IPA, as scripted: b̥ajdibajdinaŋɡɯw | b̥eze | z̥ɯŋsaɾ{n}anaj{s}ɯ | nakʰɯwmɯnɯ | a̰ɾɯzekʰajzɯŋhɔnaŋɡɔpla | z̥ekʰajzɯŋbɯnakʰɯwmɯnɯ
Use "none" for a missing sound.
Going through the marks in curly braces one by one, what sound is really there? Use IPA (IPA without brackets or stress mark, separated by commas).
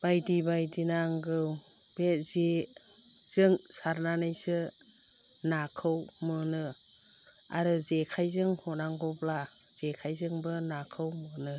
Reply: n, s